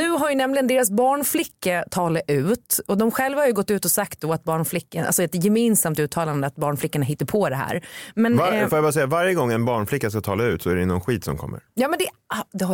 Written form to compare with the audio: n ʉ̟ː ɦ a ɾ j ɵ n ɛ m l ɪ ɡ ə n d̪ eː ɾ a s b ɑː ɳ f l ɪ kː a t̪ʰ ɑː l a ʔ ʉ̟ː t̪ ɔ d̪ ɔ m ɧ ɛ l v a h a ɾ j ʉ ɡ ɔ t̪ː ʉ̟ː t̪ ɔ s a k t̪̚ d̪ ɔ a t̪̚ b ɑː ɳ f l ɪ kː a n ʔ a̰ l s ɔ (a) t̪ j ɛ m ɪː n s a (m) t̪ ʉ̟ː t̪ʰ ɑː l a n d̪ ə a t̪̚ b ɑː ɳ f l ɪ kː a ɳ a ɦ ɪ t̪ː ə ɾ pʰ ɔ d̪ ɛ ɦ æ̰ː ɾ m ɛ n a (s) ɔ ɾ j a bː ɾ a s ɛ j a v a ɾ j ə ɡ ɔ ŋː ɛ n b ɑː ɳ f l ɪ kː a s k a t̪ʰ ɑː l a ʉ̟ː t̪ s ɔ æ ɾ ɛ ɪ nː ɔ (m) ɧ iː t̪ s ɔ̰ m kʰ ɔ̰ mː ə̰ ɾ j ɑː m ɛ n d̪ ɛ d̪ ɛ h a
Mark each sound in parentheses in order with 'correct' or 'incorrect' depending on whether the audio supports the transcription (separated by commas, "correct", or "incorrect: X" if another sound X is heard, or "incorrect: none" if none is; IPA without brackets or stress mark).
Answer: incorrect: ɛ, correct, incorrect: f, incorrect: n